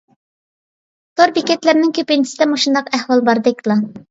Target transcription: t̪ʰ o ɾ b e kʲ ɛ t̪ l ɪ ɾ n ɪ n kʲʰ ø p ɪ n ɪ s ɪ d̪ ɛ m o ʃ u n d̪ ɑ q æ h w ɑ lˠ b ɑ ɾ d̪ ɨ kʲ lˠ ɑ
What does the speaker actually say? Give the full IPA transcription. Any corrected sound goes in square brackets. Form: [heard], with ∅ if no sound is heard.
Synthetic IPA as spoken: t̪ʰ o ɾ b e kʲ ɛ t̪ l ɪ ɾ n ɪ [ŋ] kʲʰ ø p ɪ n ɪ s ɪ d̪ ɛ m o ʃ u n d̪ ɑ q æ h w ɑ lˠ b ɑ ɾ d̪ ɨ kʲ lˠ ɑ

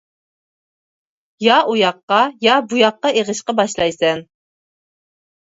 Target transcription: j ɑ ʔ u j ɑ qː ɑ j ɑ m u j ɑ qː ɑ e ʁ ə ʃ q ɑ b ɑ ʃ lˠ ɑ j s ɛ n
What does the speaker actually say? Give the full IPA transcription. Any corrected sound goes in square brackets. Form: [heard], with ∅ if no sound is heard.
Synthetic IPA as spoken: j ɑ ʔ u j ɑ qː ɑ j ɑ [b] u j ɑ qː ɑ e ʁ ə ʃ q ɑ b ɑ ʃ lˠ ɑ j s ɛ n

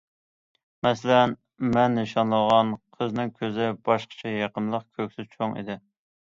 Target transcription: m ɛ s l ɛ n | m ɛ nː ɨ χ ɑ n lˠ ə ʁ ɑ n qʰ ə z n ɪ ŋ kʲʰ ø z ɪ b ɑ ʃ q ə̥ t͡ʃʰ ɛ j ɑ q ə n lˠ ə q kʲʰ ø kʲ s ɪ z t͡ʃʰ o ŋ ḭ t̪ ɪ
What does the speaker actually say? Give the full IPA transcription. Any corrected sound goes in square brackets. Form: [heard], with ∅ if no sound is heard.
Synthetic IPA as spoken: m ɛ s l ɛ n | m ɛ nː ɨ [ʃ] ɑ n lˠ ə ʁ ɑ n qʰ ə z n ɪ ŋ kʲʰ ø z ɪ b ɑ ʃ q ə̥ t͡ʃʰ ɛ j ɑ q ə n lˠ ə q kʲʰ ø kʲ s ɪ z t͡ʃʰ o ŋ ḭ [d̪] ɪ

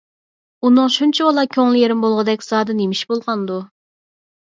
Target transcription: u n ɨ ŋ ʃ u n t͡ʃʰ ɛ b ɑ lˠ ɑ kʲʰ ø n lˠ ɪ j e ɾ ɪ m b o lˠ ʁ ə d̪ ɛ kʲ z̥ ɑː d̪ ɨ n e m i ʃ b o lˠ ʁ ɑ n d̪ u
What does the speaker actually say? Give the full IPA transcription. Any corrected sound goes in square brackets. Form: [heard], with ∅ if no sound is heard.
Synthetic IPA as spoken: u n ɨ ŋ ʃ u n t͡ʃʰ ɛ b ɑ lˠ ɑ kʲʰ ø [ŋ] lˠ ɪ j e ɾ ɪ m b o lˠ ʁ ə d̪ ɛ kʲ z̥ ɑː d̪ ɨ n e m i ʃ b o lˠ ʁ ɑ n d̪ u

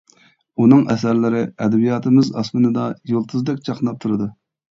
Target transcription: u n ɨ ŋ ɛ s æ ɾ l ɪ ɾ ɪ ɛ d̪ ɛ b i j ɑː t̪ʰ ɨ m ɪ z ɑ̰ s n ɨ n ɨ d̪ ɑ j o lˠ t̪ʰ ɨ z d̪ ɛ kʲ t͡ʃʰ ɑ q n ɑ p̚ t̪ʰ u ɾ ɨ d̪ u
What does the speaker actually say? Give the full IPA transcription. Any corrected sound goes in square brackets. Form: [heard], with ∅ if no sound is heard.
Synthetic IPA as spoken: u n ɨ ŋ ɛ s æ ɾ l ɪ ɾ ɪ ɛ d̪ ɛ b i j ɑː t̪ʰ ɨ m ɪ z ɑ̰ s [m] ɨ n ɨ d̪ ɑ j o lˠ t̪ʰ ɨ z d̪ ɛ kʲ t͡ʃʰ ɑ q n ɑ p̚ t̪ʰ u ɾ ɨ d̪ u

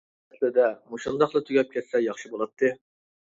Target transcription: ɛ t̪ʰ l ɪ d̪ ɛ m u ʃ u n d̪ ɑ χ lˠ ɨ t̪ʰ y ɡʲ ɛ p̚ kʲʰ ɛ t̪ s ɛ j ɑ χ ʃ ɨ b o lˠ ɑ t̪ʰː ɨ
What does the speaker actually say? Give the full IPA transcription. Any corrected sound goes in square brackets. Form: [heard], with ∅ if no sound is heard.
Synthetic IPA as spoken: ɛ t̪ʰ l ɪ d̪ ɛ m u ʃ u n d̪ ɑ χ lˠ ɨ t̪ʰ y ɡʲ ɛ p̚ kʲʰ ɛ t̪ s ɛ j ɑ χ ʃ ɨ b o lˠ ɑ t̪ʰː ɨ

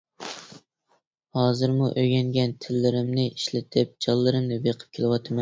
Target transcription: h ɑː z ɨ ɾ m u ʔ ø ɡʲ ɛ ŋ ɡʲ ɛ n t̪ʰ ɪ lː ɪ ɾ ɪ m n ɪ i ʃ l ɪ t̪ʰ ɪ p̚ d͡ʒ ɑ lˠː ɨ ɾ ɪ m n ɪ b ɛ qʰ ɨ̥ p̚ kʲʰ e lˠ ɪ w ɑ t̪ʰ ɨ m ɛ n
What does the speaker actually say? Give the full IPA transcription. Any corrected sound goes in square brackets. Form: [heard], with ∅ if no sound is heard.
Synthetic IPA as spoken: h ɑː z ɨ ɾ m u ʔ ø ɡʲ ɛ ŋ ɡʲ ɛ n t̪ʰ ɪ lː ɪ ɾ ɪ m n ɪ i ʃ l ɪ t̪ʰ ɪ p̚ d͡ʒ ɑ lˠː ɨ ɾ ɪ m n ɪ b [e] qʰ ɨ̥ p̚ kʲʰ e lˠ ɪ w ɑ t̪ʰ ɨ m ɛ n

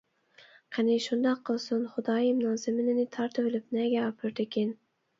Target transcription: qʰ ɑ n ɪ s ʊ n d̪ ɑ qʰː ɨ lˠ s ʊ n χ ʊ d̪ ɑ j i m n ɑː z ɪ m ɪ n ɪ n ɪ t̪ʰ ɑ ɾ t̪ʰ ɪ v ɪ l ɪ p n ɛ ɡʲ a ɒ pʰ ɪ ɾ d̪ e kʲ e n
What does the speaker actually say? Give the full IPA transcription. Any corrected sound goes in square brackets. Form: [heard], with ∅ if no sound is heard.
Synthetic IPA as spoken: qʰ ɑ n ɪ [ʃ] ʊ n d̪ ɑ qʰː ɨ lˠ s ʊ n χ ʊ d̪ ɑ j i m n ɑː z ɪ m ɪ n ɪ n ɪ t̪ʰ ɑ ɾ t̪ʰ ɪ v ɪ l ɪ p n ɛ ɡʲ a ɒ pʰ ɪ ɾ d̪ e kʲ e n

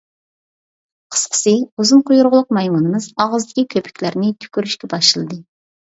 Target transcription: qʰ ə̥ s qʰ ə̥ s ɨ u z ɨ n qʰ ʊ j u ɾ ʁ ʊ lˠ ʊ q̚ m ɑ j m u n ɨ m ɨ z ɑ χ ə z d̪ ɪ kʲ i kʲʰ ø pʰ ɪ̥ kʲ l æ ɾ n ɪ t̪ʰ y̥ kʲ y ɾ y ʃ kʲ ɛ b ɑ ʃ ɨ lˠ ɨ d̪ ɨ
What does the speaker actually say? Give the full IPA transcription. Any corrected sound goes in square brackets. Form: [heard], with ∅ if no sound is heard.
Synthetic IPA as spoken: qʰ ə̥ s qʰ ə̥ s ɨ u z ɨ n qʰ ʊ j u ɾ ʁ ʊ lˠ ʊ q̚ m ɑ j m u n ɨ m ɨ z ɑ [ʁ] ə z d̪ ɪ kʲ i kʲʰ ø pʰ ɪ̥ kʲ l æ ɾ n ɪ t̪ʰ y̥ kʲ y ɾ y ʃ kʲ ɛ b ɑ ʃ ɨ lˠ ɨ d̪ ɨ

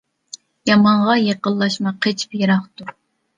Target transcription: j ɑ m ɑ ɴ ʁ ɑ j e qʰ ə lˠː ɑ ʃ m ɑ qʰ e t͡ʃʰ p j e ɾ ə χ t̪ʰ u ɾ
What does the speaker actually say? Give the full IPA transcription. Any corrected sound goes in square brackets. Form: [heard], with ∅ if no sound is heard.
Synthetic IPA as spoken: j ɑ m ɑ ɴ ʁ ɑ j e [q] ə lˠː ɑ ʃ m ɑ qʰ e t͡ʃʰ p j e ɾ [ɑ] χ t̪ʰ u ɾ

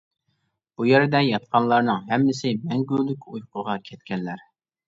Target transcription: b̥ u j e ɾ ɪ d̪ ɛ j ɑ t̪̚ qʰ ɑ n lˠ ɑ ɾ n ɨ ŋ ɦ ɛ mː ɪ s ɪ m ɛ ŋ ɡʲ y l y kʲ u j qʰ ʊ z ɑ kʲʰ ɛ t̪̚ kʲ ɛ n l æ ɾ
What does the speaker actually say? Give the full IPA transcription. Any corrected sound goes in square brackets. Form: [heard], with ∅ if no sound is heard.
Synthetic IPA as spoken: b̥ u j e ɾ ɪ d̪ ɛ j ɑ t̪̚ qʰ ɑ n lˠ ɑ ɾ n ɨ ŋ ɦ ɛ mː ɪ s ɪ m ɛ ŋ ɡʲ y l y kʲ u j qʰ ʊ [ʁ] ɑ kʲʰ ɛ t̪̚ kʲ ɛ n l æ ɾ

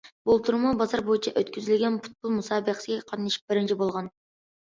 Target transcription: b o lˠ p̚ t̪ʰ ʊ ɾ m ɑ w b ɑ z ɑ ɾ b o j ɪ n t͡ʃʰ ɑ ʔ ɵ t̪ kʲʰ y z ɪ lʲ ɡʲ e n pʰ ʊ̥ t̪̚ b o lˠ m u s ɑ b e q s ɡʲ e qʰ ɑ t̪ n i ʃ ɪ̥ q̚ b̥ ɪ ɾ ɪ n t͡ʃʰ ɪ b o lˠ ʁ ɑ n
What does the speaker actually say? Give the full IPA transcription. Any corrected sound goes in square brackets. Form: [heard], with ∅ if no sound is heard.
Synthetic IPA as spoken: b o lˠ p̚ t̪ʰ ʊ ɾ m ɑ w b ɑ z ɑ ɾ b o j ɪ n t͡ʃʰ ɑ ʔ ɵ t̪ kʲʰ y z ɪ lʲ ɡʲ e n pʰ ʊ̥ t̪̚ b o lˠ m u s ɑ b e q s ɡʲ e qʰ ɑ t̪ n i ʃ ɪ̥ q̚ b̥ ɪ ɾ ɪ n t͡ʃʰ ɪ b o lˠ ʁ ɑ n

